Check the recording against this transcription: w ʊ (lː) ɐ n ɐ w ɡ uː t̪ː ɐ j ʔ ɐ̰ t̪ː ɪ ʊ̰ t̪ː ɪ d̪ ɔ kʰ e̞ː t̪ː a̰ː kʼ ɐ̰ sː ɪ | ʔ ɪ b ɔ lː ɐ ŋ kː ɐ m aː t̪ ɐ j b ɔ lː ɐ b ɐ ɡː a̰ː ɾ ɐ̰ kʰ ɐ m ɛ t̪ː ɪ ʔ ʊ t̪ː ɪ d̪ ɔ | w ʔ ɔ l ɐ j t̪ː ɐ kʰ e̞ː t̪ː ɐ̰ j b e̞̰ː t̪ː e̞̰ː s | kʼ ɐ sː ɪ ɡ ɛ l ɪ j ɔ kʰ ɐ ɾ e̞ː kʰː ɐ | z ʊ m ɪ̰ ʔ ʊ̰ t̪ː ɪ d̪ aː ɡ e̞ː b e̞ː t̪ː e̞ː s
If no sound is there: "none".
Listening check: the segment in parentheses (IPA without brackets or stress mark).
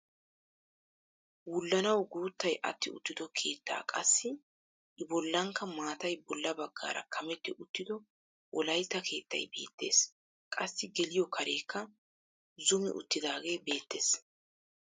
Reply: lː